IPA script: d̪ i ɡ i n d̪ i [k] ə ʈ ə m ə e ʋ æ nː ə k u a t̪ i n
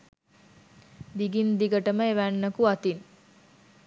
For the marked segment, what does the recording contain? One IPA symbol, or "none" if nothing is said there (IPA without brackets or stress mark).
ɡ